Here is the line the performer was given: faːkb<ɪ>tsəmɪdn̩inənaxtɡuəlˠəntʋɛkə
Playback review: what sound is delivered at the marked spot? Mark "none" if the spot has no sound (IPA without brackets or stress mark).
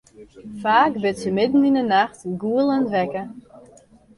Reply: ɪ